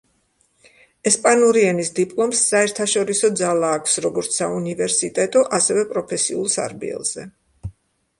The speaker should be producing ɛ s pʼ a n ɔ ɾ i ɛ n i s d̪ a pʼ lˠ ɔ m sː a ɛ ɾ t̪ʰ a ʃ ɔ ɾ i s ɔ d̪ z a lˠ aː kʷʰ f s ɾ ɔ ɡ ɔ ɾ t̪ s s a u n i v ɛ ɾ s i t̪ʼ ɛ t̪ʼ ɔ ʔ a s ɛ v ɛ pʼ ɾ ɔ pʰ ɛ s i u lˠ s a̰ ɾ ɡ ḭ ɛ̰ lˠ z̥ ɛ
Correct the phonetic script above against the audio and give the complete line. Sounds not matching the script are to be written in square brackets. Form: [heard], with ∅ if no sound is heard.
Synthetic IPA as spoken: ɛ s pʼ a n [u] ɾ i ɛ n i s d̪ [i] pʼ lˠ ɔ m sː a ɛ ɾ t̪ʰ a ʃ ɔ ɾ i s ɔ d̪ z a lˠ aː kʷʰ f s ɾ ɔ ɡ ɔ ɾ t̪ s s a u n i v ɛ ɾ s i t̪ʼ ɛ t̪ʼ ɔ ʔ a s ɛ v ɛ pʼ ɾ ɔ pʰ ɛ s i u lˠ s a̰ ɾ [b] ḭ ɛ̰ lˠ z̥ ɛ